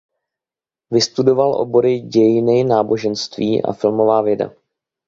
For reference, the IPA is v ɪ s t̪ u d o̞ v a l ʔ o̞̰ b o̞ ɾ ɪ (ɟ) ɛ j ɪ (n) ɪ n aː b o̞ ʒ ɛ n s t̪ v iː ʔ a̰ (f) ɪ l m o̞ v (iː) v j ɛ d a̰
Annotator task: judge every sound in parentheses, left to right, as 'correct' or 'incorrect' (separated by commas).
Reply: correct, correct, correct, incorrect